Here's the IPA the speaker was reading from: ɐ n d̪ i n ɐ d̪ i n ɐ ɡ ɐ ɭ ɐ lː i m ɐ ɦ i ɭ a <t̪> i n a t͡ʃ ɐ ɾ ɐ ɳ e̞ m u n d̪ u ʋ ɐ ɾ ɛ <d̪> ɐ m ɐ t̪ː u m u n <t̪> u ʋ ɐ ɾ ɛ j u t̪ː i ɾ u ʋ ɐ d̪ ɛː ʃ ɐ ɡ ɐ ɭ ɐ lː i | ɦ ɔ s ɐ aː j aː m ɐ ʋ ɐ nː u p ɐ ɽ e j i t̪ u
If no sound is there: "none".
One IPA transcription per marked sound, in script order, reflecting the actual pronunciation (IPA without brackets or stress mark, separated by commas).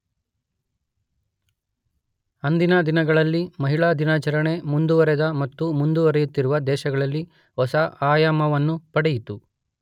d̪, d̪, d̪